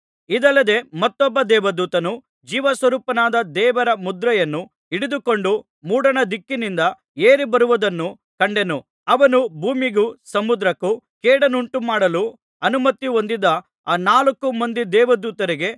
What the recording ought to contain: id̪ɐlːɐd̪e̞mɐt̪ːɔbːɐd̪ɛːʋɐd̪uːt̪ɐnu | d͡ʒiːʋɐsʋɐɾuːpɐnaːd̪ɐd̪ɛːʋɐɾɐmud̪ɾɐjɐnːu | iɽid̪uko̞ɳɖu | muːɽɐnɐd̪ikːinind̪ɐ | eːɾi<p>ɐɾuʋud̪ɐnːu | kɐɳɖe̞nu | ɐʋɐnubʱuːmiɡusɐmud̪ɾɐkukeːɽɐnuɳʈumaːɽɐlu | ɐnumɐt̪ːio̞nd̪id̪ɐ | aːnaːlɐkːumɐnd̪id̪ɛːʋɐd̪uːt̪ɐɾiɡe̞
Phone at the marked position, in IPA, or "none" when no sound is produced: b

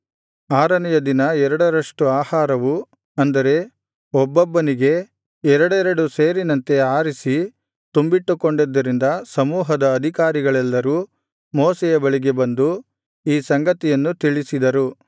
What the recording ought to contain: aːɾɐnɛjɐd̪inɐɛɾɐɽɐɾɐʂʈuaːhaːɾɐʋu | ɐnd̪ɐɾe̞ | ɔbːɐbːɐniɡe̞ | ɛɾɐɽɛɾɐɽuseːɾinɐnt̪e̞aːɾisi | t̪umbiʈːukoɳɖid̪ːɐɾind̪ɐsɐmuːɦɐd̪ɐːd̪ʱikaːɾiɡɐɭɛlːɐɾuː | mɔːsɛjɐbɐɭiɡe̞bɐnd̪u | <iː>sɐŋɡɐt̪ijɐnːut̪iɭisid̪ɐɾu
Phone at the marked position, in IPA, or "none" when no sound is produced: iː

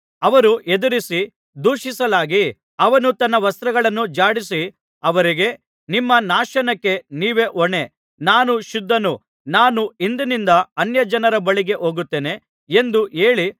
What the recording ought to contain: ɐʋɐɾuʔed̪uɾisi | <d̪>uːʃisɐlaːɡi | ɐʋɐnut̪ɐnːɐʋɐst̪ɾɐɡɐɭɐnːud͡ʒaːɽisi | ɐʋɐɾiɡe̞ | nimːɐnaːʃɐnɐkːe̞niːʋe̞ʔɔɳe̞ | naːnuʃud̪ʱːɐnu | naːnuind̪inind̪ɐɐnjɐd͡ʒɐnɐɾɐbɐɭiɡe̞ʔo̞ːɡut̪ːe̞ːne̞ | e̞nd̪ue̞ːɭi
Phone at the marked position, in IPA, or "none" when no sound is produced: d̪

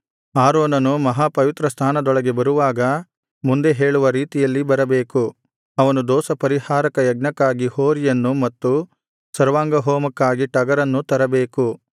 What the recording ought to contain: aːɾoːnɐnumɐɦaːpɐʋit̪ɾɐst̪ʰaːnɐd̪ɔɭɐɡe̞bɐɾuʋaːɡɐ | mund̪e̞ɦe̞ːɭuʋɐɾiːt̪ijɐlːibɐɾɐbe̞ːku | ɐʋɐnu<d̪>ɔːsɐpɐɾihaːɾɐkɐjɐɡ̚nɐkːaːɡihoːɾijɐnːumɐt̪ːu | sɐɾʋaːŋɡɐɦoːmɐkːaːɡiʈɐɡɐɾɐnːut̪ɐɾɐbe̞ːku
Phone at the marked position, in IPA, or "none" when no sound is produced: d̪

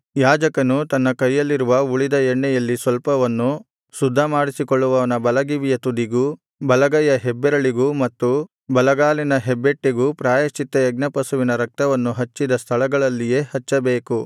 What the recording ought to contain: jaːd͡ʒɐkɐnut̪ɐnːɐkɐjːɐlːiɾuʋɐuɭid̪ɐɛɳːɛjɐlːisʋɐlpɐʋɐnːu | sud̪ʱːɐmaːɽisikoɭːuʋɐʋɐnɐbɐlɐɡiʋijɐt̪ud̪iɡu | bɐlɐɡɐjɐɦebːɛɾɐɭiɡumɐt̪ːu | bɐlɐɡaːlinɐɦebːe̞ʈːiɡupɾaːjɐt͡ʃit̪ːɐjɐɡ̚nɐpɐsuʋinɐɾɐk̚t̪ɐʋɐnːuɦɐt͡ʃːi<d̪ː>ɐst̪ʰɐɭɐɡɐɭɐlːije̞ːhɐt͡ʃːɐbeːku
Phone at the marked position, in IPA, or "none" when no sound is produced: d̪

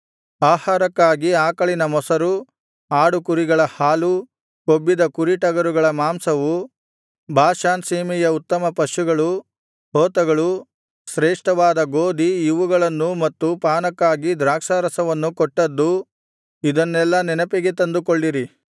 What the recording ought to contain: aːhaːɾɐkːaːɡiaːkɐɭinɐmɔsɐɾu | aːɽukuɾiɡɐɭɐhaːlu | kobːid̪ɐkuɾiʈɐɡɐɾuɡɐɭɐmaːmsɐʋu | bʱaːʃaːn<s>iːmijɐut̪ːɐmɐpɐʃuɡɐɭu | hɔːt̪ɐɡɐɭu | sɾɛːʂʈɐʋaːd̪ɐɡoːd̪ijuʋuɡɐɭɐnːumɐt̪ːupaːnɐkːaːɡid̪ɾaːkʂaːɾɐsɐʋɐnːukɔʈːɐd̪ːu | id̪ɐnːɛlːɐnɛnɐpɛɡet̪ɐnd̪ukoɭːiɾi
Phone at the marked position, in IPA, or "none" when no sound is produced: s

